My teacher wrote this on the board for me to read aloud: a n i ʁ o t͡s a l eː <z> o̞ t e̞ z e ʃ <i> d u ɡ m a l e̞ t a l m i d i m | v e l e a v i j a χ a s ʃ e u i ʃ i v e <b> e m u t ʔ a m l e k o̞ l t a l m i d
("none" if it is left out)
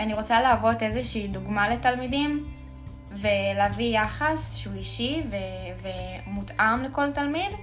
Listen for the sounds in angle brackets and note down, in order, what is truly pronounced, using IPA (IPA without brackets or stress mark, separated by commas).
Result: v, iː, v